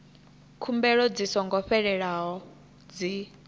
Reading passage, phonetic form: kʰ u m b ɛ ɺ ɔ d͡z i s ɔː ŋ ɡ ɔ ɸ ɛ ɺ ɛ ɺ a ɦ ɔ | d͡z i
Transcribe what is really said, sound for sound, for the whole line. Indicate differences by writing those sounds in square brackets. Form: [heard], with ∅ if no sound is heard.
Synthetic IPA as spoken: kʰ u m b ɛ ɺ ɔ d͡z i s [ɔ] ŋ ɡ ɔ ɸ ɛ ɺ ɛ ɺ a ɦ ɔ | d͡z i